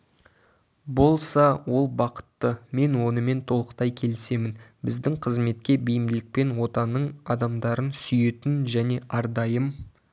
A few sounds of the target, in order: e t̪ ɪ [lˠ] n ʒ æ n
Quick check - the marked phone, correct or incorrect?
incorrect